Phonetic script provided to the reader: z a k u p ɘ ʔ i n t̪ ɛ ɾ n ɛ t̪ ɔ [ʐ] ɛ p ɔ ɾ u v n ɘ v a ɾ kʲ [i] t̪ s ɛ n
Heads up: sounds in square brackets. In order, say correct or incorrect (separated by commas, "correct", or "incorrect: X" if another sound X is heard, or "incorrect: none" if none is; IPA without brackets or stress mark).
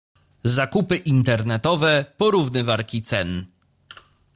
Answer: incorrect: v, correct